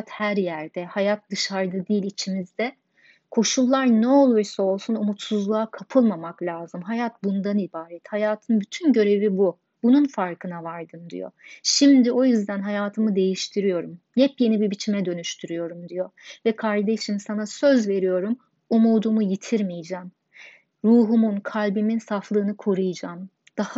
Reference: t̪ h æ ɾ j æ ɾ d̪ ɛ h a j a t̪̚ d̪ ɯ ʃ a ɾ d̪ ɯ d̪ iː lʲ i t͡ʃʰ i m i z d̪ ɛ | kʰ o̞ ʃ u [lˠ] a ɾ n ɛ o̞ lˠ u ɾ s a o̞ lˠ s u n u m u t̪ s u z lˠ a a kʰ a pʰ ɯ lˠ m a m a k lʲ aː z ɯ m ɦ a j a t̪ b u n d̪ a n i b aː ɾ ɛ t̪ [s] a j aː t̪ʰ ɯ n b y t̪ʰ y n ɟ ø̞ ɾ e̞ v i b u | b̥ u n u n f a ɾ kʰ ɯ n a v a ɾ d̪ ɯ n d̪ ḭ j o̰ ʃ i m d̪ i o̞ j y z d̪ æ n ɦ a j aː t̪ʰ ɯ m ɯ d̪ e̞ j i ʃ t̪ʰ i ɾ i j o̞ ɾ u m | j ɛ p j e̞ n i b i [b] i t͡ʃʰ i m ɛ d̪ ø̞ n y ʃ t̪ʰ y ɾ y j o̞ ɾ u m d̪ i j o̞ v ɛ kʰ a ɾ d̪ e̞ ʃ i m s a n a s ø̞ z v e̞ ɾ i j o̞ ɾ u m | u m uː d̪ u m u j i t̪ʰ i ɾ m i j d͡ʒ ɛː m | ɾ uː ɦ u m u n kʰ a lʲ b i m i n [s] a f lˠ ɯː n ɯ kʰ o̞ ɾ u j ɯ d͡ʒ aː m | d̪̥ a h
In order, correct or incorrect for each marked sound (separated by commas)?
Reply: incorrect, incorrect, correct, correct